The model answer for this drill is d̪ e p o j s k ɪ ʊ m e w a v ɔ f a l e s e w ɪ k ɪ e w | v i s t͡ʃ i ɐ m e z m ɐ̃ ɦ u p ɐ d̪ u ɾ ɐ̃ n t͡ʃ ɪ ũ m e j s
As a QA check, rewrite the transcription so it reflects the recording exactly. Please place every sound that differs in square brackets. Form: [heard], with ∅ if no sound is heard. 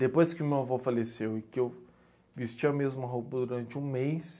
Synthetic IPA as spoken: d̪ e p o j s k ɪ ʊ m e w a v ɔ f a l e s e w ɪ k ɪ e w | v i s t͡ʃ i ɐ m e z m [ɐ] ɦ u p ɐ d̪ u ɾ ɐ̃ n t͡ʃ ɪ ũ m e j s